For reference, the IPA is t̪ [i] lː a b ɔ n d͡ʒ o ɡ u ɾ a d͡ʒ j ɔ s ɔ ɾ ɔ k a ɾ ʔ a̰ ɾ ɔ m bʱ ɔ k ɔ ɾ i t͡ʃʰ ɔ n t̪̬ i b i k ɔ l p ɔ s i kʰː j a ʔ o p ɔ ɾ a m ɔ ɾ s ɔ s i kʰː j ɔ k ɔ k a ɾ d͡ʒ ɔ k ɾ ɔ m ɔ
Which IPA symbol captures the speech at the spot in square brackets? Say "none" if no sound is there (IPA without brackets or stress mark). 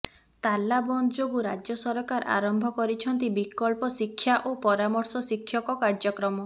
a